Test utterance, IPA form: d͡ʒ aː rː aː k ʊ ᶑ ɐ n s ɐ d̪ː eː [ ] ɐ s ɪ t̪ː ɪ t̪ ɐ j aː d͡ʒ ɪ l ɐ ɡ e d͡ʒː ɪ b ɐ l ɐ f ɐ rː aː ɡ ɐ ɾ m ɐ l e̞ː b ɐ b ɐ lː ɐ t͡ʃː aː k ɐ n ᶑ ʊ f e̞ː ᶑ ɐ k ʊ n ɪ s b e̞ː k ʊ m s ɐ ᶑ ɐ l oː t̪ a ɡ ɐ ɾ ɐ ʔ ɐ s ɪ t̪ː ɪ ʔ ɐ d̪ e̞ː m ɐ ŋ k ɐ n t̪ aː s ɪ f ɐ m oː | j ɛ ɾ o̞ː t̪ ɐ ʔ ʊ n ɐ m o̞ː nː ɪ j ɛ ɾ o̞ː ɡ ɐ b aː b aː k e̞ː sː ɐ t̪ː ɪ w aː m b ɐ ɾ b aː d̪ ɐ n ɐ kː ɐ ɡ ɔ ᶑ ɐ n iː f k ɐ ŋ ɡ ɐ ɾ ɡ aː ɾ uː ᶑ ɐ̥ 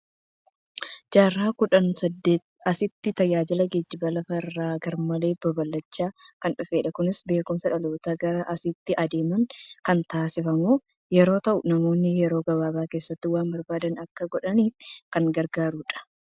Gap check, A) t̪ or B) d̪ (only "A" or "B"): A